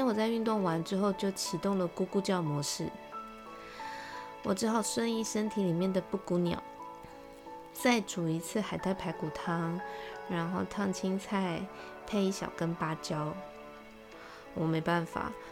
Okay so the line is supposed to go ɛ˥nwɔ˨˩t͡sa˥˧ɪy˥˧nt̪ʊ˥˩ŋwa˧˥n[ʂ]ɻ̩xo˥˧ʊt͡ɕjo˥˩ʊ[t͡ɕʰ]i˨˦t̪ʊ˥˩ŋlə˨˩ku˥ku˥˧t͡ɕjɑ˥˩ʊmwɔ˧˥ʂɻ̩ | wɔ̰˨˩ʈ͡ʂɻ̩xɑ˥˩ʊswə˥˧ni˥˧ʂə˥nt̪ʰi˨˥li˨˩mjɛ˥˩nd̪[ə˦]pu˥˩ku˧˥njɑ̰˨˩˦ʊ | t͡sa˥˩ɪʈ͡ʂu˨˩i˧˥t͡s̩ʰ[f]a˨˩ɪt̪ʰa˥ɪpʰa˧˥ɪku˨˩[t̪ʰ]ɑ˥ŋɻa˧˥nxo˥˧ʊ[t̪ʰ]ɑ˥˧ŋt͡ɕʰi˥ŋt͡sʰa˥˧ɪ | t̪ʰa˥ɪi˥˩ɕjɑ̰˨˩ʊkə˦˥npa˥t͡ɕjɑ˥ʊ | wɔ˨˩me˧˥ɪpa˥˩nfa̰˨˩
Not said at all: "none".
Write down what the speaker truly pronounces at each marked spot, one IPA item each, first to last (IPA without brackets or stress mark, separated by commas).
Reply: ʈ͡ʂ, t͡ɕʰ, ə˩, x, t̪ʰ, t̪ʰ